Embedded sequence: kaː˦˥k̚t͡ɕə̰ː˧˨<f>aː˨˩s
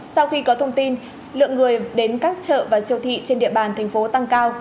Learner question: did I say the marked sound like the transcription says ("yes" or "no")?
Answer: no